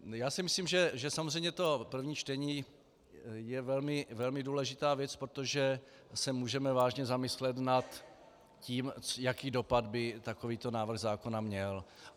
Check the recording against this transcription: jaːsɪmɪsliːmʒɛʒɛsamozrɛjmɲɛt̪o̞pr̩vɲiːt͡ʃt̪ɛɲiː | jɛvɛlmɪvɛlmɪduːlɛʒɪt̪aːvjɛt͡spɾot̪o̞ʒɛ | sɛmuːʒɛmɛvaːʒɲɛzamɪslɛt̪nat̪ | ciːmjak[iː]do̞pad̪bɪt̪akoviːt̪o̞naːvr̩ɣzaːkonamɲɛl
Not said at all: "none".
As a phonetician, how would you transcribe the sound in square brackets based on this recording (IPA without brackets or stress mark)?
iː